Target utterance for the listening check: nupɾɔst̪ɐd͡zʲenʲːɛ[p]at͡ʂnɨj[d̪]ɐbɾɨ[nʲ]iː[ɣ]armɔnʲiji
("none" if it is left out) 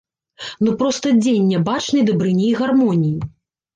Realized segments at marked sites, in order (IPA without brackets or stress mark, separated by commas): b, d̪, nʲ, ɣ